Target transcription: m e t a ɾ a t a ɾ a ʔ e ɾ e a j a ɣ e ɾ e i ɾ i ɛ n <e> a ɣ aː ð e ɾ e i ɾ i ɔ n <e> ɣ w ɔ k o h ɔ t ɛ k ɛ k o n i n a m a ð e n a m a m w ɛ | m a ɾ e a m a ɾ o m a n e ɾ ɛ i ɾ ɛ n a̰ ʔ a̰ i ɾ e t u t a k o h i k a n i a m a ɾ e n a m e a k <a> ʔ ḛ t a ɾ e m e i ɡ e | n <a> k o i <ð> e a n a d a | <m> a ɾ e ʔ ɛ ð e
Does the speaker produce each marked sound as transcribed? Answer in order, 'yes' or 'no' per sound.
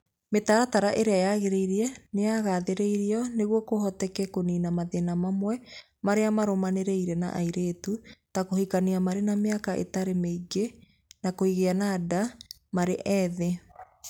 yes, yes, yes, yes, no, yes

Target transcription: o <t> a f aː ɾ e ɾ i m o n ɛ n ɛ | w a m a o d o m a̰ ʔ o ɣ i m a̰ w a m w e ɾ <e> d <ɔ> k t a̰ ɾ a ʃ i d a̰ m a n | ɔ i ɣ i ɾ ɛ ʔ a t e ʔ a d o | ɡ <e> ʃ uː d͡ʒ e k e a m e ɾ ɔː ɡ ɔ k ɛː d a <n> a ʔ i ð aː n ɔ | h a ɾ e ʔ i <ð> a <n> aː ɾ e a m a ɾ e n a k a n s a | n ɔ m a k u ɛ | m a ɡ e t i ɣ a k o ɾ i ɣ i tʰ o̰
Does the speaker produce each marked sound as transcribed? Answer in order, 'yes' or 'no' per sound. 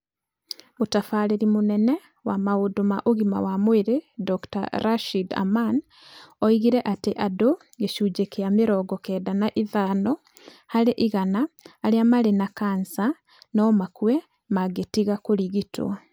yes, yes, yes, yes, yes, no, yes

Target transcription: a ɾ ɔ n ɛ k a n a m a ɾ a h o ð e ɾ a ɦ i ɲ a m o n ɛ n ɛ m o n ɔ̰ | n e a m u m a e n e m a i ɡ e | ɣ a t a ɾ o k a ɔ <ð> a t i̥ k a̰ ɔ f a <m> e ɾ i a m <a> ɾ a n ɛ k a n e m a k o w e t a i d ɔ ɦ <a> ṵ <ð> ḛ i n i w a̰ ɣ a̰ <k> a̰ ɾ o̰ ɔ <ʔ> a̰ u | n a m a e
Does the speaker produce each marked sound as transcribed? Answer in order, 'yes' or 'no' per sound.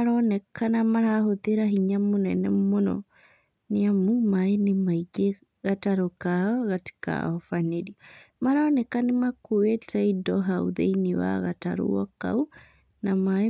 no, no, yes, yes, yes, no, no

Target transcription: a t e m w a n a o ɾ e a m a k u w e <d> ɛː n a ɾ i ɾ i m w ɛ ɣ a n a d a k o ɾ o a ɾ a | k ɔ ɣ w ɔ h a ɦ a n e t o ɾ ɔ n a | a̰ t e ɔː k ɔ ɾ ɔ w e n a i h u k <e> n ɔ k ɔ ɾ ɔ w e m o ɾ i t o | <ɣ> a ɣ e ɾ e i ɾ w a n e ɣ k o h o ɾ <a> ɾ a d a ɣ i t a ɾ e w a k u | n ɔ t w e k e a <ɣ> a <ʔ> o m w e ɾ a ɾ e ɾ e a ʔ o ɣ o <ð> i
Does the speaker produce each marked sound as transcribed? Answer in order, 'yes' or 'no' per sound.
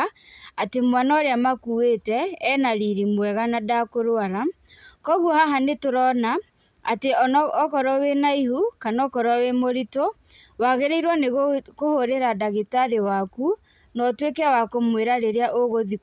no, no, no, no, no, no, yes

